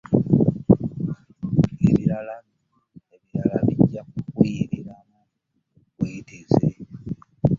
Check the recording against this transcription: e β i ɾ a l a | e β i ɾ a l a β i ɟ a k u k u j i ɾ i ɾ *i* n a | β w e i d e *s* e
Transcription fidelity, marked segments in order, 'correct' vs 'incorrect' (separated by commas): incorrect, incorrect